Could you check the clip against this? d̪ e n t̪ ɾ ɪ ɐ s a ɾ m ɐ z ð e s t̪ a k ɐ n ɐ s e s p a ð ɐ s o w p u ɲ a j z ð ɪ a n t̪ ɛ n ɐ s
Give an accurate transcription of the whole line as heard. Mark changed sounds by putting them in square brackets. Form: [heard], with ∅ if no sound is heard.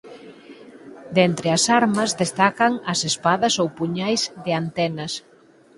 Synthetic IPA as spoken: d̪ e n t̪ ɾ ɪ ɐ s a ɾ m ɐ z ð e s t̪ a k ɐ [ŋ] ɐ s e s p a ð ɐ s o w p u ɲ a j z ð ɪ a n t̪ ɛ n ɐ s